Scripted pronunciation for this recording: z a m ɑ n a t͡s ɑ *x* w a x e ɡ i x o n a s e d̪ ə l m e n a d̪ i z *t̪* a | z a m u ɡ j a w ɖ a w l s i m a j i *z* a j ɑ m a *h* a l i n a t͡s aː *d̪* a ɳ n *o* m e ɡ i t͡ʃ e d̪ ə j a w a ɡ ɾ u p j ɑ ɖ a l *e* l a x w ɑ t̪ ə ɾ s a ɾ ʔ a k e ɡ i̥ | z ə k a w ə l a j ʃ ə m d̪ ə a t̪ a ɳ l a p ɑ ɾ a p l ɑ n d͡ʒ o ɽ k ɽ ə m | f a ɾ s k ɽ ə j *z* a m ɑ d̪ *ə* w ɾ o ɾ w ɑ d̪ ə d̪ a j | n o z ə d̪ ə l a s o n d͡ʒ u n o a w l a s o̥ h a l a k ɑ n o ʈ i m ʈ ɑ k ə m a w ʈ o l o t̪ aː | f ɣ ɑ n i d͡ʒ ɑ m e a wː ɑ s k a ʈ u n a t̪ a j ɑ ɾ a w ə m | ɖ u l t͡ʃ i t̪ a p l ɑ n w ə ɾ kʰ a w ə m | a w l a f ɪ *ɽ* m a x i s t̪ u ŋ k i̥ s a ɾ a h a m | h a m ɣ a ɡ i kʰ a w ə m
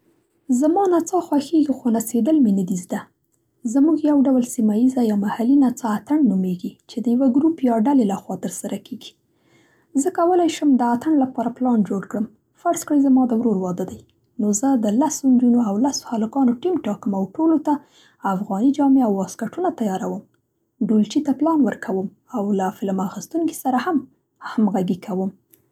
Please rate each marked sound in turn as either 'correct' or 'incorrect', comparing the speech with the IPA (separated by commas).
correct, incorrect, correct, correct, incorrect, incorrect, correct, correct, correct, incorrect